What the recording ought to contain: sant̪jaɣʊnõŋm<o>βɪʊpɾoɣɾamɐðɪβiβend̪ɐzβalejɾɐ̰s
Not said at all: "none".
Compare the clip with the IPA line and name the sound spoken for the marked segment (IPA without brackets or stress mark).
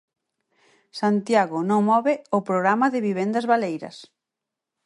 ɔ